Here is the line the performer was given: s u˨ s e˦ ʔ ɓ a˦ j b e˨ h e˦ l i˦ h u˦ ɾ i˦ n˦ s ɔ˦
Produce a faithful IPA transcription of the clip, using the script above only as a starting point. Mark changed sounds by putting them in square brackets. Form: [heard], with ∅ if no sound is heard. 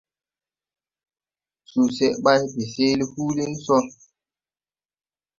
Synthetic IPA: s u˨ s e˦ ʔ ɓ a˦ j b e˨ [s] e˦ l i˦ h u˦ [l] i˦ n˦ s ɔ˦